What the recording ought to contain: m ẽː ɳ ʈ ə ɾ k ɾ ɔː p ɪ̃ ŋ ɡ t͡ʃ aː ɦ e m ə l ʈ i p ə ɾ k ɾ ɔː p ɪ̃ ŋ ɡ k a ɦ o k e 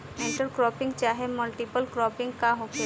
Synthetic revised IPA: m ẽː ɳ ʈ ə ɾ k ɾ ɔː p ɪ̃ ŋ ɡ t͡ʃ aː ɦ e m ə l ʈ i p ə l k ɾ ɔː p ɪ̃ ŋ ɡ k a ɦ o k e